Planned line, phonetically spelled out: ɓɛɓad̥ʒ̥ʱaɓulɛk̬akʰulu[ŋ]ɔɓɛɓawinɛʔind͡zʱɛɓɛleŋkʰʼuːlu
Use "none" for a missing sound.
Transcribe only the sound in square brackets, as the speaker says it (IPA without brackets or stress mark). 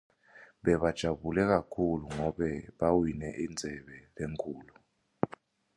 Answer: ŋ